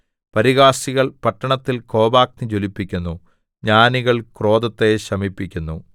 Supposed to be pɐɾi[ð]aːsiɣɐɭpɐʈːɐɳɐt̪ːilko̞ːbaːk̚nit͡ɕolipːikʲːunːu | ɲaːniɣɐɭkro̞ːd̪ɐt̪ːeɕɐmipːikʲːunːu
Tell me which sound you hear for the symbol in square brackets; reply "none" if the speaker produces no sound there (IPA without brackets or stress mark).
ɣ